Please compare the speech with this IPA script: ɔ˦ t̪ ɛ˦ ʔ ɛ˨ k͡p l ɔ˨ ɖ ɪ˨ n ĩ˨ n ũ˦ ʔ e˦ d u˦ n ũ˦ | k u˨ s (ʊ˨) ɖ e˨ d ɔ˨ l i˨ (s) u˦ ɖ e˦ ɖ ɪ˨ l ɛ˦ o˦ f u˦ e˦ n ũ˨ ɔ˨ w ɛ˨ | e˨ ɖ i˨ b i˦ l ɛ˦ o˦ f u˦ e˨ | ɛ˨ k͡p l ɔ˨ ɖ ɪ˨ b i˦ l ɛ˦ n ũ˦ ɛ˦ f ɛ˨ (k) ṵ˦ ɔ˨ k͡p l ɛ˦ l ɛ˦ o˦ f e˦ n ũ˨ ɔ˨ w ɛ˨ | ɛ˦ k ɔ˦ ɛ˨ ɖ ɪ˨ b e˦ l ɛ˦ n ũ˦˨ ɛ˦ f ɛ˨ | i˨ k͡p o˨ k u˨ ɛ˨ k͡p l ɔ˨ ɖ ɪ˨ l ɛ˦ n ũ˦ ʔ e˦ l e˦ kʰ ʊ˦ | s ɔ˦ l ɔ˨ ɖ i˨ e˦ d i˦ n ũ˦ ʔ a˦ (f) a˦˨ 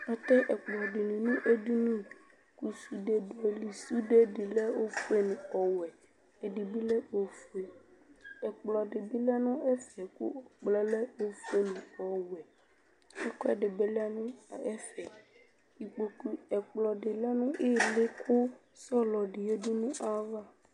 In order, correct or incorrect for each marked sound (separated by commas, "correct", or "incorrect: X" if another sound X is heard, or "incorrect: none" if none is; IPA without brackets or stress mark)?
incorrect: u˨, correct, correct, incorrect: v